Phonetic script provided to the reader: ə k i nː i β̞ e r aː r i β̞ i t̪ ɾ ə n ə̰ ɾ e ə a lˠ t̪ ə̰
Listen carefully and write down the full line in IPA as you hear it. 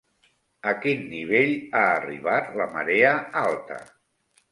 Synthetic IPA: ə k i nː i β̞ e ʎ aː r i β̞ a t̪ l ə m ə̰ ɾ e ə a lˠ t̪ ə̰